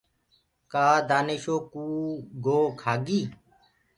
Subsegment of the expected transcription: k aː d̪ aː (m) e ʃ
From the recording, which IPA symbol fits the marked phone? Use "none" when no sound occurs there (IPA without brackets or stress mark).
n